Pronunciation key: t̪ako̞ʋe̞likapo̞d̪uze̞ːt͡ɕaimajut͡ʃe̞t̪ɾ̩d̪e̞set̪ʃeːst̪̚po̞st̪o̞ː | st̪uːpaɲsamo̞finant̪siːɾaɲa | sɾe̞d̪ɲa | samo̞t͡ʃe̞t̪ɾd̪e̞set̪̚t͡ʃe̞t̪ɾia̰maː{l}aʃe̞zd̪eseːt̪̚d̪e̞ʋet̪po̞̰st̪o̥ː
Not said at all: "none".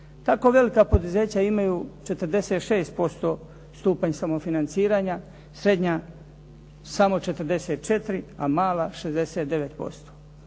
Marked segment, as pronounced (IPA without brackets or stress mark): l